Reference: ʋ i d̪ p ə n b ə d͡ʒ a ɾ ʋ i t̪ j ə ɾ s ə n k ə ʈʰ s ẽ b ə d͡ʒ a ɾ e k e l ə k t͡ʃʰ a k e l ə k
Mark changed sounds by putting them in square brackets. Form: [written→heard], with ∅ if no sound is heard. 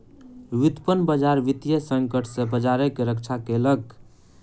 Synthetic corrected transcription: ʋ i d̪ p ə n b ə d͡ʒ a ɾ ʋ i t̪ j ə [ɾ→∅] s ə [n→ŋ] k ə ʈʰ s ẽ b ə d͡ʒ a ɾ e k e [l→ɾ] ə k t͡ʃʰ a k e l ə k

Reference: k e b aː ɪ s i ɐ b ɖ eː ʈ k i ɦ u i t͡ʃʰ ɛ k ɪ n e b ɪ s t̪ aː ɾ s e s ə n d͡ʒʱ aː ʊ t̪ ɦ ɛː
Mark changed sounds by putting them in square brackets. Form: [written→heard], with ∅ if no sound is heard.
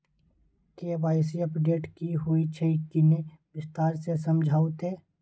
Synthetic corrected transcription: k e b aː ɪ s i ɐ [b→p] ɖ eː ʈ k i ɦ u i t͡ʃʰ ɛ k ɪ n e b ɪ s t̪ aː ɾ s e s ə [n→m] d͡ʒʱ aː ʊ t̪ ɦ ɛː

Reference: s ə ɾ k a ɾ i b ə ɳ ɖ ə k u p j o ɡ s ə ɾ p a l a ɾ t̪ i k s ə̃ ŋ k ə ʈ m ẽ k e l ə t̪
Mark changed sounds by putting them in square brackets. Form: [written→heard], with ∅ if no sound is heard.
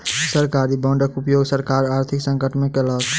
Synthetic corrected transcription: s ə ɾ k a ɾ i b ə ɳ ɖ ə k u p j o ɡ s ə ɾ [p→k] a [l→ɾ] a ɾ [t̪→t̪ʰ] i k s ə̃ ŋ k ə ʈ m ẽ k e l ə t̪

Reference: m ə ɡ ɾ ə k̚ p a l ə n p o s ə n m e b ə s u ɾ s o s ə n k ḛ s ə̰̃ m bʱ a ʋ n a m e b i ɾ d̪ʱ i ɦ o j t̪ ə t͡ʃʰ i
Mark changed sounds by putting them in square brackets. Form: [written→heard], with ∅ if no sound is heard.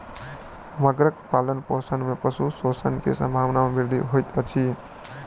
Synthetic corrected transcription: m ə ɡ ɾ ə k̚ p a l ə n p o s ə n m e [b→p] ə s u [ɾ→∅] s o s ə n k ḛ s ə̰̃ m bʱ a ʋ n a m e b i ɾ d̪ʱ i ɦ o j t̪ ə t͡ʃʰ i

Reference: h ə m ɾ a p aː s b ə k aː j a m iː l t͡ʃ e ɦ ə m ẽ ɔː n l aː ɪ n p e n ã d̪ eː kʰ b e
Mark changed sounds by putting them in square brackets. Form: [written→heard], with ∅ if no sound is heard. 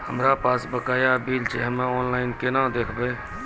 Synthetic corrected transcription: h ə m ɾ a p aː s b ə k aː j a [m→b] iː l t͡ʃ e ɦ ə m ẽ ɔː n l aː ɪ n [p→k] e n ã d̪ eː kʰ b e

